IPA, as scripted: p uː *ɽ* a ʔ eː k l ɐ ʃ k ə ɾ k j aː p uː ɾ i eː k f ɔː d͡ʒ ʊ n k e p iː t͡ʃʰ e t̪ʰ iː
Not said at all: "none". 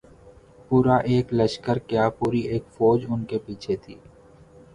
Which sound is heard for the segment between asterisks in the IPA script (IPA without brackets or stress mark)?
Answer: ɾ